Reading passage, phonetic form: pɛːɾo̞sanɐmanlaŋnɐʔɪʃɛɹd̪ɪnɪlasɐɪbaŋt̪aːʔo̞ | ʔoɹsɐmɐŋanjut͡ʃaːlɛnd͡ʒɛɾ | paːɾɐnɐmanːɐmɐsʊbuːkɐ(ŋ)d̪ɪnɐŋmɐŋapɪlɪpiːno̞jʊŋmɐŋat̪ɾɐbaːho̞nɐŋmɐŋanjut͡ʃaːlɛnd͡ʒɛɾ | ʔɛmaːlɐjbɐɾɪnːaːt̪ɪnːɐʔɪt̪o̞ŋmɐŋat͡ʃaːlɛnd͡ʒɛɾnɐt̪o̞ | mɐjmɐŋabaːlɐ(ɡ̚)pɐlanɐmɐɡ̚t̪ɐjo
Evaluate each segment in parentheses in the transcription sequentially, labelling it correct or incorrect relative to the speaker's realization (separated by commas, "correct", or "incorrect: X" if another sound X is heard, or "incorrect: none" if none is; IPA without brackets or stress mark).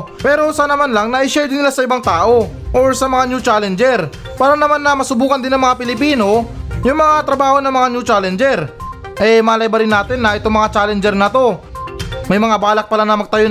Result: incorrect: n, incorrect: k̚